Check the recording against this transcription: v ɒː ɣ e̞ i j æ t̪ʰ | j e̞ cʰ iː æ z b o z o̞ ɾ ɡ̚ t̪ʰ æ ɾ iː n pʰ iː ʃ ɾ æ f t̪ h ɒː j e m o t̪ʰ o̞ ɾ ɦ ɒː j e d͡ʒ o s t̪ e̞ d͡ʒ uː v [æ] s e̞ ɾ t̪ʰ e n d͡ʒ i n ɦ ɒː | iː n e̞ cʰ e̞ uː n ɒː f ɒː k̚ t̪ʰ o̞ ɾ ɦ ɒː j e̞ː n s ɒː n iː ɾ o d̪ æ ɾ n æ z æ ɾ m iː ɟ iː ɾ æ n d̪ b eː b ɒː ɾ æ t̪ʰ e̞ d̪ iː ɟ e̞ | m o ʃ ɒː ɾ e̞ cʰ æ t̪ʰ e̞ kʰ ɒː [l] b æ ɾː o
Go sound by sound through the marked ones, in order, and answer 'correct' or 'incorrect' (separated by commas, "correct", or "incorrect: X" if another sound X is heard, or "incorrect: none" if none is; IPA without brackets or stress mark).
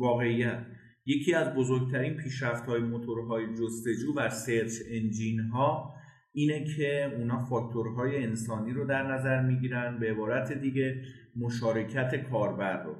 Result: correct, incorrect: ɾ